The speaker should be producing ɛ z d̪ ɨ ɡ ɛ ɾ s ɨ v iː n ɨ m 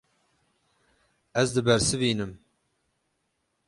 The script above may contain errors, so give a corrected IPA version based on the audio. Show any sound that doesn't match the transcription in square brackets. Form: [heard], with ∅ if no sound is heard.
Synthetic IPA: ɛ z d̪ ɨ [b] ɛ ɾ s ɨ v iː n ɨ m